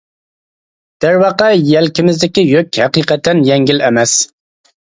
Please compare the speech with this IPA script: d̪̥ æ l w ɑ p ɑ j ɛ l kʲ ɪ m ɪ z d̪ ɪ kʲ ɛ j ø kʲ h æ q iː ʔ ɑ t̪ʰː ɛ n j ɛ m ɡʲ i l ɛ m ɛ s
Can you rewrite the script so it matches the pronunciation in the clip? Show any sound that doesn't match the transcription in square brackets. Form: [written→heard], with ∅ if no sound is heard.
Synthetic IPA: d̪̥ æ [l→ɾ] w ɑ [p→q] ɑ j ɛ l kʲ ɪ m ɪ z d̪ ɪ kʲ [ɛ→i] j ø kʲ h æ q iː [ʔ→q] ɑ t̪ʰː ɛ n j ɛ [m→ŋ] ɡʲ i l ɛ m ɛ s

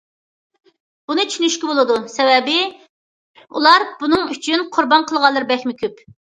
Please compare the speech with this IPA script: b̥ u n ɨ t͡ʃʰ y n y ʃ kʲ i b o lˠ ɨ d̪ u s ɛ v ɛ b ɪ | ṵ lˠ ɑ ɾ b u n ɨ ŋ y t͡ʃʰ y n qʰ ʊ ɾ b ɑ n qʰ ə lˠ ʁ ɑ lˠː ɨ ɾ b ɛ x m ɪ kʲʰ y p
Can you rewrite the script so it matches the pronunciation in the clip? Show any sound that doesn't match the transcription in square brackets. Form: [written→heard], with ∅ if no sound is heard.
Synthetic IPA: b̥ u n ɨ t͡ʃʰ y n y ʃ kʲ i b o lˠ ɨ d̪ u s ɛ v ɛ b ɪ | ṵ lˠ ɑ ɾ b u n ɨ ŋ y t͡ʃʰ y n qʰ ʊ ɾ b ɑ n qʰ ə lˠ ʁ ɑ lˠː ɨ ɾ b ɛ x m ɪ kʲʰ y p

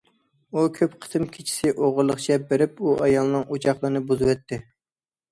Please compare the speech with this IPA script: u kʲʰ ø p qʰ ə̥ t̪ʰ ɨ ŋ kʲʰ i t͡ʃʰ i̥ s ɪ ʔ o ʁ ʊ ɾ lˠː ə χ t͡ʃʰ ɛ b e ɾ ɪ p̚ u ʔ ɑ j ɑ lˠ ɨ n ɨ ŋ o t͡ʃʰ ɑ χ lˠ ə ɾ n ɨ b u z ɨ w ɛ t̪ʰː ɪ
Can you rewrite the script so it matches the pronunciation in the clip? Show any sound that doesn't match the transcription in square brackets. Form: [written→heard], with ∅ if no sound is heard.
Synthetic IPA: u kʲʰ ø p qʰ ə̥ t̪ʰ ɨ [ŋ→m] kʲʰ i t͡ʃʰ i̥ s ɪ ʔ o ʁ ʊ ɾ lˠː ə χ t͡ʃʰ ɛ b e ɾ ɪ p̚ u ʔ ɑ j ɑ lˠ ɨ n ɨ ŋ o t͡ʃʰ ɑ χ lˠ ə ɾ n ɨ b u z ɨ w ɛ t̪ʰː ɪ

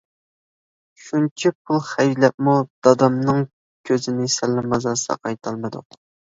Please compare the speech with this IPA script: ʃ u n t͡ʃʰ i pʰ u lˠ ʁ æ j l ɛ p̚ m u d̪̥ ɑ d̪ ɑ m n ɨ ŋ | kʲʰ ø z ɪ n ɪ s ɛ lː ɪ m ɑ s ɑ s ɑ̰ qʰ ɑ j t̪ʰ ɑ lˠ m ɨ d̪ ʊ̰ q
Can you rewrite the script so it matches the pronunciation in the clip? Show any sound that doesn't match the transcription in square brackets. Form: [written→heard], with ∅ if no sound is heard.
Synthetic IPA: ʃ u n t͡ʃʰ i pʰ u lˠ [ʁ→χ] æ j l ɛ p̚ m u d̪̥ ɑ d̪ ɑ m n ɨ ŋ | kʲʰ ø z ɪ n ɪ s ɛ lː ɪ m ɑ [s→z] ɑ s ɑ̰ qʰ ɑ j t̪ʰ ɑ lˠ m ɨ d̪ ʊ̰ q

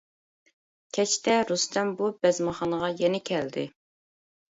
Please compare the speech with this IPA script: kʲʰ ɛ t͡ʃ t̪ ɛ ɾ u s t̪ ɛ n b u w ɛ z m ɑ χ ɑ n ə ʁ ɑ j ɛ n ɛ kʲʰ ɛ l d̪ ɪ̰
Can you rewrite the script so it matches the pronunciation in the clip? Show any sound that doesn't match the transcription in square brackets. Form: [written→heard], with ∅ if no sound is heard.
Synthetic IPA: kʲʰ ɛ t͡ʃ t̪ ɛ ɾ u s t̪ ɛ [n→m] b u [w→b] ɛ z m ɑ χ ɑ n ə ʁ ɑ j ɛ n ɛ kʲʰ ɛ l d̪ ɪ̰

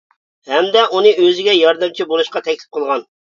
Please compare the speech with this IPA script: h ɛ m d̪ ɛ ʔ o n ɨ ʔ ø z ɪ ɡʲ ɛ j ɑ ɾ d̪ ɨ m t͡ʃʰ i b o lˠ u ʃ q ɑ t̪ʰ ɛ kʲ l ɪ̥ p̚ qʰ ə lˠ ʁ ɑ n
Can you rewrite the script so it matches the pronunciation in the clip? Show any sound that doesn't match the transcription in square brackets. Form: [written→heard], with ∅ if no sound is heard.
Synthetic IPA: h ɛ m d̪ ɛ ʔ [o→u] n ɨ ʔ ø z ɪ ɡʲ ɛ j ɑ ɾ d̪ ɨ m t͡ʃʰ i b o lˠ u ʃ q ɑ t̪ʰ ɛ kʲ l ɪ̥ p̚ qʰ ə lˠ ʁ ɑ n

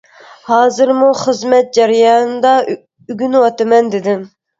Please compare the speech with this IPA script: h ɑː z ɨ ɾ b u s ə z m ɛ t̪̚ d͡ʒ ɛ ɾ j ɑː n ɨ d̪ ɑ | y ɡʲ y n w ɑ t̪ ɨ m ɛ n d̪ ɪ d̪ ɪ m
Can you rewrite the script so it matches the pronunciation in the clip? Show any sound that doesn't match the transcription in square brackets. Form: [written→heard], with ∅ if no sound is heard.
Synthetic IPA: h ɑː z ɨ ɾ [b→m] u [s→χ] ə z m ɛ t̪̚ d͡ʒ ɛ ɾ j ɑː n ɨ d̪ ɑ | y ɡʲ y n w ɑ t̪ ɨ m ɛ n d̪ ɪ d̪ ɪ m

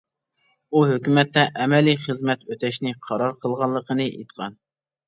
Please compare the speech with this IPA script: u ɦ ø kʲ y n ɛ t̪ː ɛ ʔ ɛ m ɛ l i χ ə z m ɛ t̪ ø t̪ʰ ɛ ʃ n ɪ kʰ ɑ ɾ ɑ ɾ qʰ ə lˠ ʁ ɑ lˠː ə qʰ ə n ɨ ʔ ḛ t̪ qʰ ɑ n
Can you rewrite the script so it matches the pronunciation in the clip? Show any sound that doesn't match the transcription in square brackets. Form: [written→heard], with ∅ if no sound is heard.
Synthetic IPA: u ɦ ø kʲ y [n→m] ɛ t̪ː ɛ ʔ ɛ m ɛ l i χ ə z m ɛ t̪ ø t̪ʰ ɛ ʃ n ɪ [kʰ→qʰ] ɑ ɾ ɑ ɾ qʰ ə lˠ ʁ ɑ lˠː ə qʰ ə n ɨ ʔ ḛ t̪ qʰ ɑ n

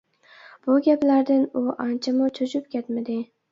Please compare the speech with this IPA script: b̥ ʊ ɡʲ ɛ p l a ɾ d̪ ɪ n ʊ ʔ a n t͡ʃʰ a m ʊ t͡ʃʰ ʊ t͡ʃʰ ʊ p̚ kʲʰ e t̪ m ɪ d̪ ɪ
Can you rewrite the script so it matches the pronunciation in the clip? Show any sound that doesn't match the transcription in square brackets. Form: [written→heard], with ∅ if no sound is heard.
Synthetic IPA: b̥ ʊ ɡʲ [ɛ→a] p l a ɾ d̪ ɪ n ʊ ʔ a n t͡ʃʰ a m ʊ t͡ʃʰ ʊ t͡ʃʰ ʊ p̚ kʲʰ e t̪ m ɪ d̪ ɪ

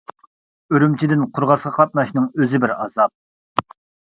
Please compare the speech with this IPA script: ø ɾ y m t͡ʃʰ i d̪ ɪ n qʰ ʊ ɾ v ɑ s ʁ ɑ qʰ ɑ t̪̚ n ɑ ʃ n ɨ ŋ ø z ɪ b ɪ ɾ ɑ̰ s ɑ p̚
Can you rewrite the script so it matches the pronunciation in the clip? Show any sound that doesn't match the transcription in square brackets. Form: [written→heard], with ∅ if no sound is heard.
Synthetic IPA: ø ɾ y m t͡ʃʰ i d̪ ɪ n qʰ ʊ ɾ [v→ʁ] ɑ s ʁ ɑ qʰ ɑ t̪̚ n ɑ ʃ n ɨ ŋ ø z ɪ b ɪ ɾ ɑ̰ [s→z] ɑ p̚

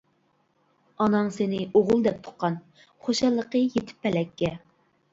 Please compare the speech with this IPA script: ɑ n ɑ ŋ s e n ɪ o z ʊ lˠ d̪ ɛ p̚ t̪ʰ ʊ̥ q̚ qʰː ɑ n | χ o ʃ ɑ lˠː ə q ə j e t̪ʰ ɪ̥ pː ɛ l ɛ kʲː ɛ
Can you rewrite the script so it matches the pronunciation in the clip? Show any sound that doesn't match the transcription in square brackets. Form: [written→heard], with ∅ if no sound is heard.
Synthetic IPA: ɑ n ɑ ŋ s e n ɪ o [z→ʁ] ʊ lˠ d̪ ɛ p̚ t̪ʰ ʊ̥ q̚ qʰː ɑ n | χ o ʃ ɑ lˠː ə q ə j e t̪ʰ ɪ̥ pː ɛ l ɛ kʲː ɛ

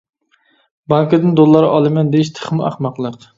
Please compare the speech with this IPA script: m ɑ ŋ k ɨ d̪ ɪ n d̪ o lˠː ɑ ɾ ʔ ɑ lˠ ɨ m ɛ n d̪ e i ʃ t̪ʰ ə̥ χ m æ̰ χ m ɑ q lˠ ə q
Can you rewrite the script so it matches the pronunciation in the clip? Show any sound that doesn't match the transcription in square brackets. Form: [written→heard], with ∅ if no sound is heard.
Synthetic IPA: [m→b] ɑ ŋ k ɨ d̪ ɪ n d̪ o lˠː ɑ ɾ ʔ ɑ lˠ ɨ m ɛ n d̪ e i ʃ t̪ʰ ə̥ χ m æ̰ χ m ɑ q lˠ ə q

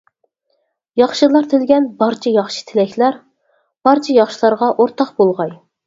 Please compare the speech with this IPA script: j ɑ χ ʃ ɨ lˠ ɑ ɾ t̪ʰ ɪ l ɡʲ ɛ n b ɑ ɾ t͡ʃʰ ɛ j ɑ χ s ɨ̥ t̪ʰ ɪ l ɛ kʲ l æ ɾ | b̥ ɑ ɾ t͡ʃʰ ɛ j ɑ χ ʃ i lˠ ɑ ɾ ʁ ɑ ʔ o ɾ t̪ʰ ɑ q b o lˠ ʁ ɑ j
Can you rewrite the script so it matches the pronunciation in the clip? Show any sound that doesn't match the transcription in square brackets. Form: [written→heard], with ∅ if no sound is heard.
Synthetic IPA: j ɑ χ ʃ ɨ lˠ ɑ ɾ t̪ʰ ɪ l ɡʲ ɛ n b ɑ ɾ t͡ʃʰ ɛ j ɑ χ [s→ʃ] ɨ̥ t̪ʰ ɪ l ɛ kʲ l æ ɾ | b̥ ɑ ɾ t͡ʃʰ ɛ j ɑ χ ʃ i lˠ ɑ ɾ ʁ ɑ ʔ o ɾ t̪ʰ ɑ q b o lˠ ʁ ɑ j

